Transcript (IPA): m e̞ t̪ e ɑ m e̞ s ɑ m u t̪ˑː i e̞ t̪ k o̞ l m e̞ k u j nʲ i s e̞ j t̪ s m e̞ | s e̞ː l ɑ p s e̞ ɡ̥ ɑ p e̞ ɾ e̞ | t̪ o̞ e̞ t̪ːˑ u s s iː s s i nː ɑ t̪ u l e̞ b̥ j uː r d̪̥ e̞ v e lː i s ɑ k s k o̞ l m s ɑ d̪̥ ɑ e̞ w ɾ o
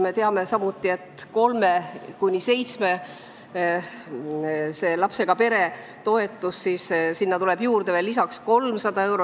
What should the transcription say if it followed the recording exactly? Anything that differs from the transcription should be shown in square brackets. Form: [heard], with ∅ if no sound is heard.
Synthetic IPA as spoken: m e̞ t̪ e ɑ m e̞ s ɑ m u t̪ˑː i e̞ t̪ k o̞ l m e̞ k u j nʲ i s e̞ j t̪ s m e̞ | s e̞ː l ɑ p s e̞ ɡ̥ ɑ p e̞ ɾ e̞ | t̪ o̞ e̞ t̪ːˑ u s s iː s s i nː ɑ t̪ u l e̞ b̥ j uː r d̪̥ e̞ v e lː i s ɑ k s k o̞ l m s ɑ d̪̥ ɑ e̞ w ɾ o